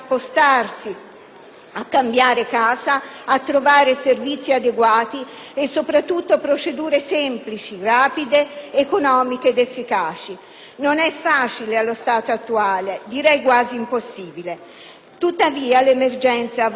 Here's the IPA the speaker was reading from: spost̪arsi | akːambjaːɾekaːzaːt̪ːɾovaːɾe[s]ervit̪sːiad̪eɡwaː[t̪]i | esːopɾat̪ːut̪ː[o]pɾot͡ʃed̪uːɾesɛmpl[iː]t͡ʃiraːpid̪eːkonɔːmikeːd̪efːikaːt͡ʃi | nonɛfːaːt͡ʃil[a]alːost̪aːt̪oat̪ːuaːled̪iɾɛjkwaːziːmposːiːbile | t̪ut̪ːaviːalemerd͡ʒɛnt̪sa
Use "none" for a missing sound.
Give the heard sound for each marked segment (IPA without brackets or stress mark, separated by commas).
s, t̪, o, i, e